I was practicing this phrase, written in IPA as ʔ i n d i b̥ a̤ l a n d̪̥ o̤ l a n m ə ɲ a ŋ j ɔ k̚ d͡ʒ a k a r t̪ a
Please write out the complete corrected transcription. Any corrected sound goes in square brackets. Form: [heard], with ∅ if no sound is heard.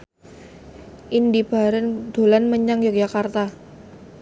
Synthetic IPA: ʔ i n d i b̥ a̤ [ɾ] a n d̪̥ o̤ l a n m ə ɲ a ŋ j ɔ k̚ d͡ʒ a k a r t̪ a